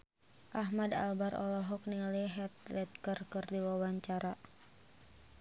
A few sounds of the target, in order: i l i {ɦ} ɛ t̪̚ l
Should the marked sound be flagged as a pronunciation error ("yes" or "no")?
no